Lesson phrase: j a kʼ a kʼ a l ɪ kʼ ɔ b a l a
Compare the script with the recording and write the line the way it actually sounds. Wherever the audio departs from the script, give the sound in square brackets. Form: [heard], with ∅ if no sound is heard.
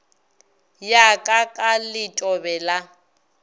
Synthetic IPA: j a kʼ a kʼ a l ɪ [tʼ] ɔ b [ɛ] l a